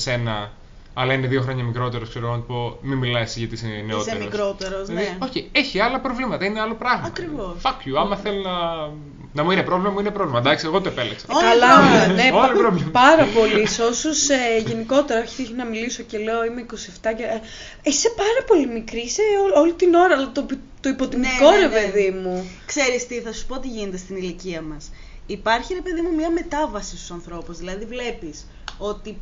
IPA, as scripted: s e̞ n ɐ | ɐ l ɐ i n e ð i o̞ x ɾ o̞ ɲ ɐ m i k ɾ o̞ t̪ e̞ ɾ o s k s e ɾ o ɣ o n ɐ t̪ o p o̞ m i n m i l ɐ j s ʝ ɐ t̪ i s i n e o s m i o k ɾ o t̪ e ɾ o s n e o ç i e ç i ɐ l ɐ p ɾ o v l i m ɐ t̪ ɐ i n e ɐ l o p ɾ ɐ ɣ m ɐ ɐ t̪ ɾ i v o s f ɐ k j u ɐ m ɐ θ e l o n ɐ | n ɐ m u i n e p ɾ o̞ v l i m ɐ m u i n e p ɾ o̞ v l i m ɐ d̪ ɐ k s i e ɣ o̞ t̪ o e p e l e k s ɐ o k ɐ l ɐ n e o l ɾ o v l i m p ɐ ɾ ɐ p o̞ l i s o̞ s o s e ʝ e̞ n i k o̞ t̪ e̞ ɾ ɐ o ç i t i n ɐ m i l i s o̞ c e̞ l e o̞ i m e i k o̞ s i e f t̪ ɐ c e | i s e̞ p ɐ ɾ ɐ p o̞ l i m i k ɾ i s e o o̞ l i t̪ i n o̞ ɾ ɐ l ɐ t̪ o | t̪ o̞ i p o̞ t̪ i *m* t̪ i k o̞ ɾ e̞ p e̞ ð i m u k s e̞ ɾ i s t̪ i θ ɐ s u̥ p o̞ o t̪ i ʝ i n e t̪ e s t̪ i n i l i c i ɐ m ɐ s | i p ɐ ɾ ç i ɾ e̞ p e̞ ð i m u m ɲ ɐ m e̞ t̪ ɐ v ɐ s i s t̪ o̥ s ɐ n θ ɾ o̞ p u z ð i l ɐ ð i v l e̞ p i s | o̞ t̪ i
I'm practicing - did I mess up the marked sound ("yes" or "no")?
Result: no